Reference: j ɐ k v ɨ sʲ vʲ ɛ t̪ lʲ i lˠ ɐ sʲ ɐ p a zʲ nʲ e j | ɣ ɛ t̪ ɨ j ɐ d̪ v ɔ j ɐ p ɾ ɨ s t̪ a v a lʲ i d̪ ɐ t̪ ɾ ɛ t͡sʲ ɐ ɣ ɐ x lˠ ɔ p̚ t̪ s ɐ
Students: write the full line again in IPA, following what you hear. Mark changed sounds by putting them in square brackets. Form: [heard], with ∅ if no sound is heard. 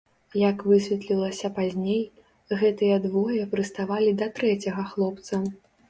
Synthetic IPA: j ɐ k v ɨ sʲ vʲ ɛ t̪ lʲ i lˠ ɐ sʲ ɐ p a zʲ nʲ e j | ɣ ɛ t̪ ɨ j ɐ d̪ v ɔ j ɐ p ɾ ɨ s t̪ a v a lʲ i d̪ ɐ t̪ ɾ ɛ t͡sʲ ɐ ɣ ɐ x lˠ ɔ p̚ t̪ s ɐ